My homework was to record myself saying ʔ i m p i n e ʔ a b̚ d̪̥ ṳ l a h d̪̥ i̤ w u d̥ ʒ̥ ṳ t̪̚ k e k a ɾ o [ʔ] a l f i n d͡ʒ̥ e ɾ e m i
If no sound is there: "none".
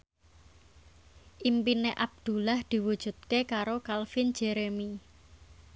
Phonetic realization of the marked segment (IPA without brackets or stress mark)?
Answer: k